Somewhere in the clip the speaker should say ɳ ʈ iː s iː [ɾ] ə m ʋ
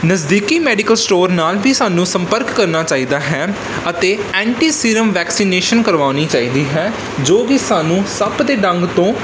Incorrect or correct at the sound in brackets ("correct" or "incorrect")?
correct